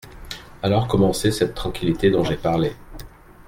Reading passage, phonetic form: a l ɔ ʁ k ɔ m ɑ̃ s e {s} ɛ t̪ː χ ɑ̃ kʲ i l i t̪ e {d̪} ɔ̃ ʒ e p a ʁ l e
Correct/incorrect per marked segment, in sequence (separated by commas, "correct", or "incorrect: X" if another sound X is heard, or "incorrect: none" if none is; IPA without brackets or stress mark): correct, correct